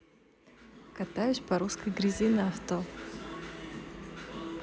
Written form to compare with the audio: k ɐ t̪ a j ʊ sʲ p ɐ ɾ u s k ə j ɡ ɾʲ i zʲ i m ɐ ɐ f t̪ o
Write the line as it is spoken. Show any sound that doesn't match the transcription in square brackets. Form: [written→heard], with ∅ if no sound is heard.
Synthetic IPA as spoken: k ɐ t̪ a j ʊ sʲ p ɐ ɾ u s k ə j ɡ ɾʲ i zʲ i [m→n] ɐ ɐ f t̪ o